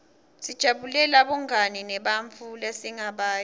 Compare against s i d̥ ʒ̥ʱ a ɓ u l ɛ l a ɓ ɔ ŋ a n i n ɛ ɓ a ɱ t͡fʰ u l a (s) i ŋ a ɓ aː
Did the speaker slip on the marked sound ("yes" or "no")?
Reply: no